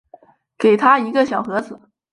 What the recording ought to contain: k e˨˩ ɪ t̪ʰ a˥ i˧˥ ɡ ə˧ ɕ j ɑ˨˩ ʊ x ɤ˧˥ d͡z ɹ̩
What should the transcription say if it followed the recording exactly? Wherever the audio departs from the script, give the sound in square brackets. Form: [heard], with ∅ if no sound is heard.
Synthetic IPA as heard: k e˨˩ ɪ t̪ʰ a˥ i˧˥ ɡ ə˧ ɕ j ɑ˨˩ ʊ x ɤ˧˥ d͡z ɹ̩